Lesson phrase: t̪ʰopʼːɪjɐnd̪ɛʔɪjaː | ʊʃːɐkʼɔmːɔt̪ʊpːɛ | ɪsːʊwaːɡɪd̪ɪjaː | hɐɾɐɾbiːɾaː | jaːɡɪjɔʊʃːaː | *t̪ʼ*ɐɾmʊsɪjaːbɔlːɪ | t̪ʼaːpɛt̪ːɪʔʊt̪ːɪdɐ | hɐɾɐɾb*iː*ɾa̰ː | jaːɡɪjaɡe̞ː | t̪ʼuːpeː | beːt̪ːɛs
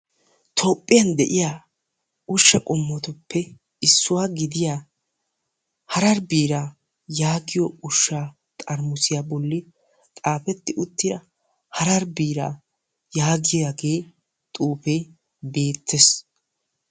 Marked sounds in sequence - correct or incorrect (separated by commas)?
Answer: correct, correct